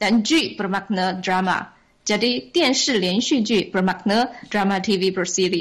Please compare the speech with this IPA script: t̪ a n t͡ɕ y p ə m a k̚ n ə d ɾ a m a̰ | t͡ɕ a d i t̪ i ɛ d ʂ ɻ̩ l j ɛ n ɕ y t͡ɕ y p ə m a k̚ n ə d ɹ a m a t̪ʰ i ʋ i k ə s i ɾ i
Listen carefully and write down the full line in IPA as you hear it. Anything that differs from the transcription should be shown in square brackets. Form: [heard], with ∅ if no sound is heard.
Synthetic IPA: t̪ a n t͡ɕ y p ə m a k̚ n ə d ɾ a m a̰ | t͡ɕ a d i t̪ [j] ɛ [n] ʂ ɻ̩ l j ɛ n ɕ y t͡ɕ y p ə m a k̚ n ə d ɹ a m a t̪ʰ i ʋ i [p] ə s i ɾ i